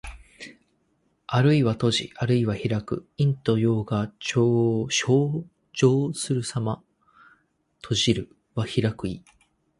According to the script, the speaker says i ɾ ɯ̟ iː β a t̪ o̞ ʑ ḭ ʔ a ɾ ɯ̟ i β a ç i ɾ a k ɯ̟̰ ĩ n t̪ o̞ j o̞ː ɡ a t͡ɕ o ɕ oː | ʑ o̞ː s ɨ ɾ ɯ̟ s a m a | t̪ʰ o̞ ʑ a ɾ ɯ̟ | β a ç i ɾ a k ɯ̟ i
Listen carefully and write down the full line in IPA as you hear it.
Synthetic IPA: a ɾ ɯ̟ i β a t̪ o̞ ʑ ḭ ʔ a ɾ ɯ̟ i β a ç i ɾ a k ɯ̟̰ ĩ n t̪ o̞ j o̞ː ɡ a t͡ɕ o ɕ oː | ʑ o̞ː s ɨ ɾ ɯ̟ s a m a | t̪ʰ o̞ ʑ i ɾ ɯ̟ | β a ç i ɾ a k ɯ̟ i